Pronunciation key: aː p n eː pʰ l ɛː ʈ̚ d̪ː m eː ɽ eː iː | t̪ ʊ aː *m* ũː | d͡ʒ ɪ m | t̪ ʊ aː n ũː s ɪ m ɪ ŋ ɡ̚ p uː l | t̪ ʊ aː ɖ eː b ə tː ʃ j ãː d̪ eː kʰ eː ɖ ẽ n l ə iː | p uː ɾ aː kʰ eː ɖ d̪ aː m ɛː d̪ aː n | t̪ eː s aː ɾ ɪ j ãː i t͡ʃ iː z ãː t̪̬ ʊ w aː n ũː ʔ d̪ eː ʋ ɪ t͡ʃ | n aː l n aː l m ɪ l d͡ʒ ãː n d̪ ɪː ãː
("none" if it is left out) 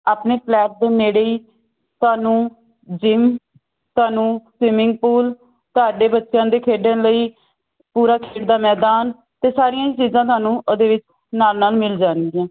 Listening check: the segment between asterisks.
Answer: n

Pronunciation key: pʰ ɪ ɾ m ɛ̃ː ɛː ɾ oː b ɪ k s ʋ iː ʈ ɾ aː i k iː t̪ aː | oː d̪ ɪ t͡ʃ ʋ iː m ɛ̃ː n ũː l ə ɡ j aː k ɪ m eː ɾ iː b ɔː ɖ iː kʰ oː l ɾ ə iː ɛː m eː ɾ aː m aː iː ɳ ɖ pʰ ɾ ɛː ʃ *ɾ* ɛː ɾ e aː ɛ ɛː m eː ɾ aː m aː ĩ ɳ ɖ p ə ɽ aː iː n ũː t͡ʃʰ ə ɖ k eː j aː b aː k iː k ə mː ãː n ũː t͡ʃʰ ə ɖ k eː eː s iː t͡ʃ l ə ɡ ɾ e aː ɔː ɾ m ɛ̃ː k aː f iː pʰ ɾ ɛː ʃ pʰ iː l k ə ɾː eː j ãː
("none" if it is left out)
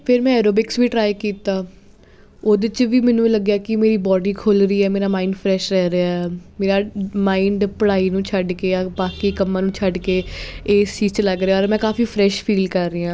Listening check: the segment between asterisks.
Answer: ɾ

